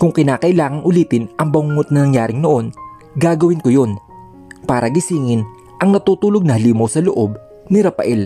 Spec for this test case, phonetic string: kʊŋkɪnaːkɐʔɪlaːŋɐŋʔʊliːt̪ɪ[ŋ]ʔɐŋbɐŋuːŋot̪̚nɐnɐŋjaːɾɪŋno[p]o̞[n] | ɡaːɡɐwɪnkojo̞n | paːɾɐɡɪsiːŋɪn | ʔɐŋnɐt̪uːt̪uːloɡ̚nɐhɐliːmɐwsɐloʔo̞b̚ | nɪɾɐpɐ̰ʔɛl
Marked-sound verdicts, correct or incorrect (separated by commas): incorrect, incorrect, correct